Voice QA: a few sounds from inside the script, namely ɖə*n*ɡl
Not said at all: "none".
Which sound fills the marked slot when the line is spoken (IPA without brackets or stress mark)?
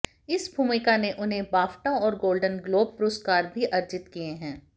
n